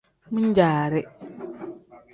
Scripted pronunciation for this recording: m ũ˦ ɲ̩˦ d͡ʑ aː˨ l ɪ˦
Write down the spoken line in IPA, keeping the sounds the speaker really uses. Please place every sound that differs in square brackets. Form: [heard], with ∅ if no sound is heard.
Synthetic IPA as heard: m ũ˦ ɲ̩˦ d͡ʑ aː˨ [ɾ] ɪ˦